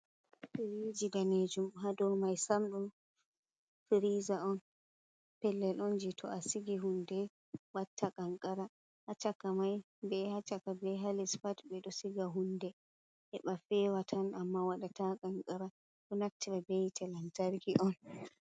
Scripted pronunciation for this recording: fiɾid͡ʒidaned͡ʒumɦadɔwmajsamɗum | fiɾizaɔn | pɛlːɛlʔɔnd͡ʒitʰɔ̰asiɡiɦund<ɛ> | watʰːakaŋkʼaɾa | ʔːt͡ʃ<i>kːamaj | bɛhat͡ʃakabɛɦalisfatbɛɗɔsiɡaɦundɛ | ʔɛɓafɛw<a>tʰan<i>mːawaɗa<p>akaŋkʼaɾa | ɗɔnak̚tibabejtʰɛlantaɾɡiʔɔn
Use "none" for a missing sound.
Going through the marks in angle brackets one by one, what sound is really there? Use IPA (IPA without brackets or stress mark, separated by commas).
ɛ, a, a, a, t